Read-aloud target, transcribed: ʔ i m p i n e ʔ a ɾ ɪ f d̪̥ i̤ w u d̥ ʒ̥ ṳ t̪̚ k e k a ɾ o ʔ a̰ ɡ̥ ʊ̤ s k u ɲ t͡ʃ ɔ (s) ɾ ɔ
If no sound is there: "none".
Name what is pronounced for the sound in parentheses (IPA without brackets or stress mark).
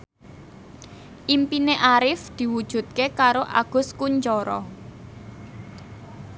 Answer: none